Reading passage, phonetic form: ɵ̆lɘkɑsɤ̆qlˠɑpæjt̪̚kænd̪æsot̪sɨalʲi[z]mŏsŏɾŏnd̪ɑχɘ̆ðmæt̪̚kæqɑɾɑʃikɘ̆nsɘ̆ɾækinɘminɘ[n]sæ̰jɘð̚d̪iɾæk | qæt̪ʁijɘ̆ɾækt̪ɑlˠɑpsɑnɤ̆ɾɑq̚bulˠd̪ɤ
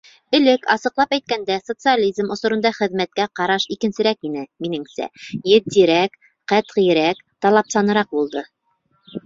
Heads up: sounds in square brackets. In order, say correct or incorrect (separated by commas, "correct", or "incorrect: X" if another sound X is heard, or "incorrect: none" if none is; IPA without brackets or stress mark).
correct, incorrect: ŋ